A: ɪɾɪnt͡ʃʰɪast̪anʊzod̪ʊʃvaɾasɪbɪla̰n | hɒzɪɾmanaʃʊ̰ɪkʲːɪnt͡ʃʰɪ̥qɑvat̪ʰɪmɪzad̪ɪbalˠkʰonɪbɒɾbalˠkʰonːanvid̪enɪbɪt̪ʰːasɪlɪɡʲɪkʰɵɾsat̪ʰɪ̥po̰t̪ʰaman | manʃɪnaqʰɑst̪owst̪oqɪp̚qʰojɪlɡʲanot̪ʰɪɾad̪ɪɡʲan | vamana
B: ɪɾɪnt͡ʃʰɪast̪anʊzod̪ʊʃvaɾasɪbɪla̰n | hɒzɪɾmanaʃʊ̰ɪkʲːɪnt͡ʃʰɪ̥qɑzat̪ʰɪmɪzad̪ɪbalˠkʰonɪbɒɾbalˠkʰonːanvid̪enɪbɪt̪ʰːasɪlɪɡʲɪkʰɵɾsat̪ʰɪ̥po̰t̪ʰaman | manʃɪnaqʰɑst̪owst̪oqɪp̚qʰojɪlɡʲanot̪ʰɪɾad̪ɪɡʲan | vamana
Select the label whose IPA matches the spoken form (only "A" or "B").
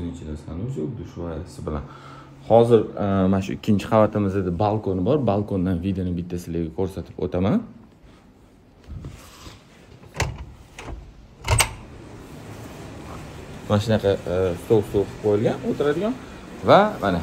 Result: A